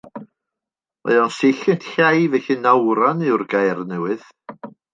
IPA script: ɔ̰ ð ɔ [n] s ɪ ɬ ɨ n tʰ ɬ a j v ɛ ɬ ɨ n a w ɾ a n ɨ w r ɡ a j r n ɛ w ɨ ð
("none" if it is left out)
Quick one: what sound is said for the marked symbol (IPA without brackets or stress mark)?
n